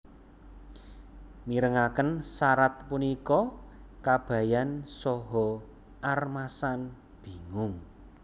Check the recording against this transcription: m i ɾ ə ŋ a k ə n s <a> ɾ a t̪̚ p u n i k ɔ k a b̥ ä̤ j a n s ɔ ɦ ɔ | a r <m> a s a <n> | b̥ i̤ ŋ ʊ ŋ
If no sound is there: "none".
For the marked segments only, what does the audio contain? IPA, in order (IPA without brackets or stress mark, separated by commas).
a, m, n